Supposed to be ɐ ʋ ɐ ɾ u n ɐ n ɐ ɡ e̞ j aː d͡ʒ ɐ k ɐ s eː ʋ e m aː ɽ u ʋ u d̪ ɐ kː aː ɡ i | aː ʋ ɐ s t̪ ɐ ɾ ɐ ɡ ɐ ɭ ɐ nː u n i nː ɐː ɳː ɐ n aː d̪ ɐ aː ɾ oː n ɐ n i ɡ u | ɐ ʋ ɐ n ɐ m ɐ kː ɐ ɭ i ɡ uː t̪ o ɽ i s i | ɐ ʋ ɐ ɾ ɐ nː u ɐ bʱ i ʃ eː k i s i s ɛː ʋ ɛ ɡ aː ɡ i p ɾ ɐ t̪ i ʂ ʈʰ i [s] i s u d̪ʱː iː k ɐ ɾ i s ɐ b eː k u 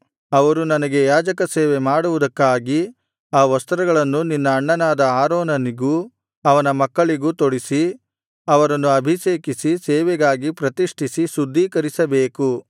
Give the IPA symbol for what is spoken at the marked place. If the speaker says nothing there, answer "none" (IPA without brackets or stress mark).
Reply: s